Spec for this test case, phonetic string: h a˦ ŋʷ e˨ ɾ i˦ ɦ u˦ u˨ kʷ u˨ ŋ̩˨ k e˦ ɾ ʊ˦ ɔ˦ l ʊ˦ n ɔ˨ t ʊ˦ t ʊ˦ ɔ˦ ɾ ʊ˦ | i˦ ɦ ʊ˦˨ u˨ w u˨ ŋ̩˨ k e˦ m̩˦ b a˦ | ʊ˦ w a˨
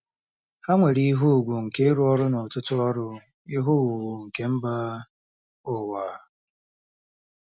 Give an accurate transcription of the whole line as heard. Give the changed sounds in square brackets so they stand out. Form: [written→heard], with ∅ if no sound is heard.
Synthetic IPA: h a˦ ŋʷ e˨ ɾ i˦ ɦ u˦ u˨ [kʷ→ɡʷ] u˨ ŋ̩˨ k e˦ ɾ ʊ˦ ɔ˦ [l→ɾ] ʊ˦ n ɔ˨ t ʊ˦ t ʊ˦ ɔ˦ ɾ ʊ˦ | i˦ ɦ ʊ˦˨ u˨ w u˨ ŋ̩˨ k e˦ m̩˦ b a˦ | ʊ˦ w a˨